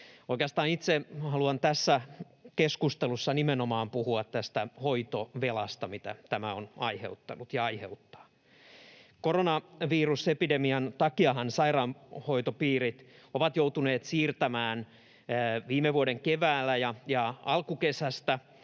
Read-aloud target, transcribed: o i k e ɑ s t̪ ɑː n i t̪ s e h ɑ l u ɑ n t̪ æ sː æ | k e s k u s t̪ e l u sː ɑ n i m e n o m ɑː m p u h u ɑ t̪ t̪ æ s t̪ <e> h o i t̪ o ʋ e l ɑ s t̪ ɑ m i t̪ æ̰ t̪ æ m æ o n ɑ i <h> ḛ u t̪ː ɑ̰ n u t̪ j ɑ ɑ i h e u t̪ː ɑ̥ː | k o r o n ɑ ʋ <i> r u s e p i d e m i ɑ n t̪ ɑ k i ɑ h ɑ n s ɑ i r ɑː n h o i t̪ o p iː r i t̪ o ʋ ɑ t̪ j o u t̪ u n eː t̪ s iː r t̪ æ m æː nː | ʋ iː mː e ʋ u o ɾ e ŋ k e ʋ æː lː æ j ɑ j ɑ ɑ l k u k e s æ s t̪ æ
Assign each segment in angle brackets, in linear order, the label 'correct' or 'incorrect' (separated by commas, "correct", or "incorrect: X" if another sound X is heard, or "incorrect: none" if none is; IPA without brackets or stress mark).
incorrect: æ, correct, incorrect: iː